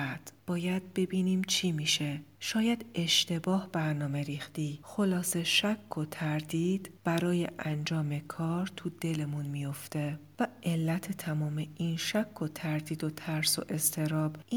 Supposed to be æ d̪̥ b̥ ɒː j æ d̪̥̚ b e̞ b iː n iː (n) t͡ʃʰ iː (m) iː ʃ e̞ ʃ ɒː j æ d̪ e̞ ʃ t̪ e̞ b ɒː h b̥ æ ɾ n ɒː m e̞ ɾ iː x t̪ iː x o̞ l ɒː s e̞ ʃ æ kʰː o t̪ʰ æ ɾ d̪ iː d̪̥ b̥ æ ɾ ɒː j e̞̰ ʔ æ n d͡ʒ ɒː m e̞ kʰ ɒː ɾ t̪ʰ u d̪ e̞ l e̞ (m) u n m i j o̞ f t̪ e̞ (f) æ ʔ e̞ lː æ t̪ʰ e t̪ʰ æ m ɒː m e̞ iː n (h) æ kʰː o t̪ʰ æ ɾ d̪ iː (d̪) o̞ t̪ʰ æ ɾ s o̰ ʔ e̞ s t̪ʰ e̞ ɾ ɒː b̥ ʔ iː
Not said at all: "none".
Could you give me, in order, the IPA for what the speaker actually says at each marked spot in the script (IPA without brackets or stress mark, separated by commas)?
m, m, m, v, ʃ, d̪